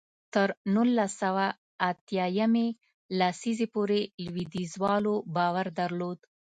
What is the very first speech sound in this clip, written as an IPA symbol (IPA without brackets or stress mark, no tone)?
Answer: t̪